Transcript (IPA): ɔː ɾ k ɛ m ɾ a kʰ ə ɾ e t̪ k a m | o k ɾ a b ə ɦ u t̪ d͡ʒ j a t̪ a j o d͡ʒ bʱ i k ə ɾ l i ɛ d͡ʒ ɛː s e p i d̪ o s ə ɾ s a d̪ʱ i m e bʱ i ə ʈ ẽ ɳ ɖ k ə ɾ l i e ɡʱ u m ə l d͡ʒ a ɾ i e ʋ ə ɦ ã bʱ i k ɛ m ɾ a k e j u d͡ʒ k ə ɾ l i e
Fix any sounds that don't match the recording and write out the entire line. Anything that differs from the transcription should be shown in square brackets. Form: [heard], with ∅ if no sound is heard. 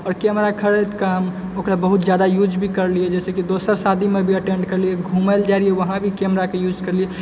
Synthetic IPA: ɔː ɾ k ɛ m ɾ a kʰ ə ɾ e t̪ k a m | o k ɾ a b ə ɦ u t̪ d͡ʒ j a [d̪] a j [u] d͡ʒ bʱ i k ə ɾ l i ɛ d͡ʒ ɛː s e [k] i d̪ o s ə ɾ s a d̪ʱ i m e bʱ i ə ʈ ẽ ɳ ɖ k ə ɾ l i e ɡʱ u m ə l d͡ʒ a ɾ i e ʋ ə ɦ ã bʱ i k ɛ m ɾ a k e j u d͡ʒ k ə ɾ l i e